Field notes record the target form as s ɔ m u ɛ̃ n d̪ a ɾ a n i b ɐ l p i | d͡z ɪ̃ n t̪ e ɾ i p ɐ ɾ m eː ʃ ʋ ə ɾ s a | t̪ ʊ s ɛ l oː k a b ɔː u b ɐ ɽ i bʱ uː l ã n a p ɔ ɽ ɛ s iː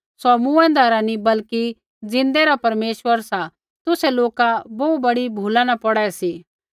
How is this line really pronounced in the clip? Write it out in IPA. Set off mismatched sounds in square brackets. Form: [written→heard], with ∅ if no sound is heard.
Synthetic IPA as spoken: s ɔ m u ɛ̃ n d̪ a ɾ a n i b ɐ l [p→k] i | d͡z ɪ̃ n [t̪→d̪] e ɾ [i→a] p ɐ ɾ m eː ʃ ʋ ə ɾ s a | t̪ ʊ s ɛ l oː k a b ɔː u b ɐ ɽ i bʱ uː l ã n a p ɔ ɽ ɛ s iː